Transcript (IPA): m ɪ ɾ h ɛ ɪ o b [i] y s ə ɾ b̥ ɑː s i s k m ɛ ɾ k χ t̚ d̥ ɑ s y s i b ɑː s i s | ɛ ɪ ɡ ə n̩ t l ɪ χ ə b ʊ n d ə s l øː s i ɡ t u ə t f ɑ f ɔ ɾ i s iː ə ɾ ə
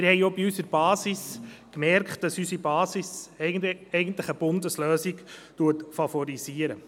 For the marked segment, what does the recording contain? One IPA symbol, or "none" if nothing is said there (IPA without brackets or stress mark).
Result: i